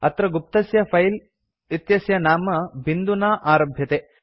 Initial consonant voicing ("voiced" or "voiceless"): voiceless